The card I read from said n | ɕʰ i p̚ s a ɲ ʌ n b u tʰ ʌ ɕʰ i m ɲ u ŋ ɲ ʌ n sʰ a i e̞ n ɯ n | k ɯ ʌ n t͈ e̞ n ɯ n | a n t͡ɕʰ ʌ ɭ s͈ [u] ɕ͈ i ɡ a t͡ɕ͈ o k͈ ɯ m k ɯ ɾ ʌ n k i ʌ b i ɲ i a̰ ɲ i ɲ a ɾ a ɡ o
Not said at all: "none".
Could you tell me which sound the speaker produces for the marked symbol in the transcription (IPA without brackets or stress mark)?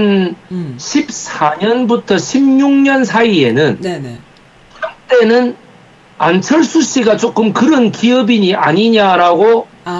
u